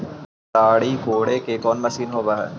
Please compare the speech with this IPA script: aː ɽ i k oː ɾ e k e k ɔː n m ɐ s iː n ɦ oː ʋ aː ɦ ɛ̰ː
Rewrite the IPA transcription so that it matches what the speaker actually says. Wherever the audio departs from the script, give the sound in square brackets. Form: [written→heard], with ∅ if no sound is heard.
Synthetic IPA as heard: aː ɽ i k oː [ɾ→ɽ] e k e k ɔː n m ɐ s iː n ɦ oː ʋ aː ɦ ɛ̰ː